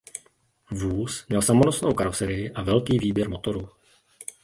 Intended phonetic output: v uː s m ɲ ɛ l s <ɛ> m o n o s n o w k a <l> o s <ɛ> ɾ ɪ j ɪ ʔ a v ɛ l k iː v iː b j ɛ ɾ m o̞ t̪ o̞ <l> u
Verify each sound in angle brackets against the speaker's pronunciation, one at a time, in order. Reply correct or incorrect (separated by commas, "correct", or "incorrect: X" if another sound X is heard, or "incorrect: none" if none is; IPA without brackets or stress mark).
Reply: incorrect: a, incorrect: ɾ, correct, incorrect: ɾ